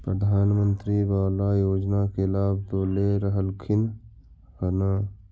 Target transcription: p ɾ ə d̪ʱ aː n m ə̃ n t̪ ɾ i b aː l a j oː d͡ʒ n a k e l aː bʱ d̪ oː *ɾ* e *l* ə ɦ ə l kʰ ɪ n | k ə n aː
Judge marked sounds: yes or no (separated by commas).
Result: no, no